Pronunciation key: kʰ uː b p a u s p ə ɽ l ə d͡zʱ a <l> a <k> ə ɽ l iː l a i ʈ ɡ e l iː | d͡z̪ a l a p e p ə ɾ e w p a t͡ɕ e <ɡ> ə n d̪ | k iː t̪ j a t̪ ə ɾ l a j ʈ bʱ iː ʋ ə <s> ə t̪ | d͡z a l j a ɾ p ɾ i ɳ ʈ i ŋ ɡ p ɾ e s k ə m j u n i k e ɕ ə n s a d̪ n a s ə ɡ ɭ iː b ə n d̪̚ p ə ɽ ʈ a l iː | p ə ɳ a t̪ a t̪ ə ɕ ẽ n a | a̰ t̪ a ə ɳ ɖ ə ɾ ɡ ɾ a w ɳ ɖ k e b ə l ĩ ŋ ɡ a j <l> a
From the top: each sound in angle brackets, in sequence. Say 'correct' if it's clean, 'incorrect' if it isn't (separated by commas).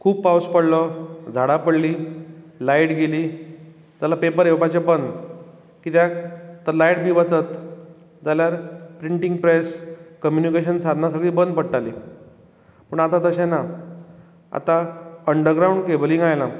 incorrect, incorrect, incorrect, incorrect, correct